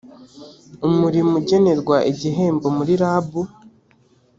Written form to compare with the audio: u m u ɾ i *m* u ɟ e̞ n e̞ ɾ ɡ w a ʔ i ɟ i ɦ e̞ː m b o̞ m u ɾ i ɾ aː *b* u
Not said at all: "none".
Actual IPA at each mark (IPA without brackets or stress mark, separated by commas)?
m, b